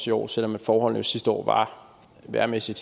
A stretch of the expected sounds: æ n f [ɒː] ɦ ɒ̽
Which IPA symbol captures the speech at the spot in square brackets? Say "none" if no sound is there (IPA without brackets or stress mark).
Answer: ɒː